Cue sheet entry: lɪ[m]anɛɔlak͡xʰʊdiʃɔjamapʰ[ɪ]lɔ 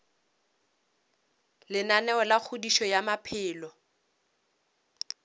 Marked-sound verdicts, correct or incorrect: incorrect: n, incorrect: ɪː

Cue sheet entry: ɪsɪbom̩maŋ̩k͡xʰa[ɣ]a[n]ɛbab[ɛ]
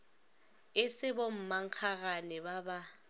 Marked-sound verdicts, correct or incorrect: correct, correct, incorrect: a

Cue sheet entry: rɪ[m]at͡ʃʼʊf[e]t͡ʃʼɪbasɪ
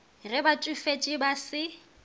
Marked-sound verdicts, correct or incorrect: incorrect: b, correct

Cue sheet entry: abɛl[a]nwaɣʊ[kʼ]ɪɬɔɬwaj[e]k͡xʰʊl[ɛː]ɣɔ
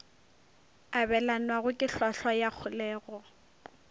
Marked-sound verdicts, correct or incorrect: correct, correct, incorrect: a, correct

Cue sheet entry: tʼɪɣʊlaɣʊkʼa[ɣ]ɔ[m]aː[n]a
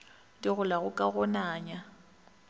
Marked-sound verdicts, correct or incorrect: correct, incorrect: n, incorrect: ɲ

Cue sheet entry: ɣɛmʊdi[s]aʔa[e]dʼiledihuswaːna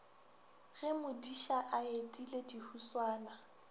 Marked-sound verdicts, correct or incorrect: incorrect: ʃ, correct

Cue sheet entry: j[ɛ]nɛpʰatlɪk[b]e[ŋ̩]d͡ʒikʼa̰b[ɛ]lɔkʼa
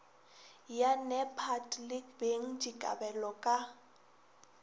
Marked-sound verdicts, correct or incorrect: incorrect: a, correct, correct, correct

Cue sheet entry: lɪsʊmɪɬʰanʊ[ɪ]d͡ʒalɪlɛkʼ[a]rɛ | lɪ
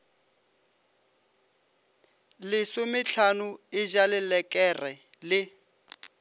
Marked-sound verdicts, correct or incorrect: correct, incorrect: ɛ

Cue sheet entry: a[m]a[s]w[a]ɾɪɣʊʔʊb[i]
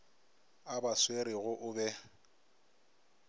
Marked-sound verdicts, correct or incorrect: incorrect: b, correct, incorrect: e, incorrect: ɛ

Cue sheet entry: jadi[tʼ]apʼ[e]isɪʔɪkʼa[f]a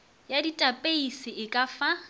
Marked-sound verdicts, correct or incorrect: correct, correct, correct

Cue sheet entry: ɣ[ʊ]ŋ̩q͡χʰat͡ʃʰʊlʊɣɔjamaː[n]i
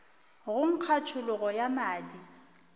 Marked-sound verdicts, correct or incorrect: correct, incorrect: d

